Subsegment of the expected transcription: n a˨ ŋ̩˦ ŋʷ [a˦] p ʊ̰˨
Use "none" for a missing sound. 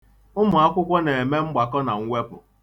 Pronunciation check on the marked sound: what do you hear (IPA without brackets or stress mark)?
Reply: e˦